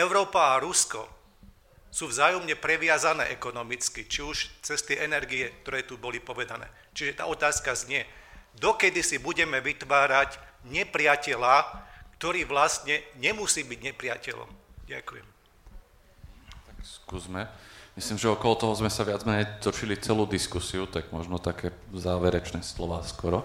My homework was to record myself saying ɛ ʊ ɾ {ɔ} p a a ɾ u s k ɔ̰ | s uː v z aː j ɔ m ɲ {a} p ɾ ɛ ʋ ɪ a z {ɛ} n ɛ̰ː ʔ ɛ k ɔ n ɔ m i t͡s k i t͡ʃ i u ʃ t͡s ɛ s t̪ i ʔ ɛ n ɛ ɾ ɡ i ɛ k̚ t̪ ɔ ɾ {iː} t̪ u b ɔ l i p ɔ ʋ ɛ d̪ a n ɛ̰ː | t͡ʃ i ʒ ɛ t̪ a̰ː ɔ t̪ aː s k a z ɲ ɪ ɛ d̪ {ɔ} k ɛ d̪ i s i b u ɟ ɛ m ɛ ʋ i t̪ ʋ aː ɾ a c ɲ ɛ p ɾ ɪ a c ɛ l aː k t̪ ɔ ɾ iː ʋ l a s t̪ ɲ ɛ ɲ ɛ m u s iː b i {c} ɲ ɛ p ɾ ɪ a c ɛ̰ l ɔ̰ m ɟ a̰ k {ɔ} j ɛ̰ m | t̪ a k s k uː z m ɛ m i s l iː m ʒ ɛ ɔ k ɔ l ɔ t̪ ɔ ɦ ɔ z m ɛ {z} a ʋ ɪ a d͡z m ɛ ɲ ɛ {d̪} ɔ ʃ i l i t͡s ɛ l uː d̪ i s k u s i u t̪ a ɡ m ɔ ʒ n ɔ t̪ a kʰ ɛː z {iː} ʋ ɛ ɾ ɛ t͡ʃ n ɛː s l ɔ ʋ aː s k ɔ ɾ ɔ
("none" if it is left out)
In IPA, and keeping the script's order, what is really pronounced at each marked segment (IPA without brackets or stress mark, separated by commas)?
ɔː, ɛ, a, ɛː, ɔ, ɟ, u, s, t̪, aː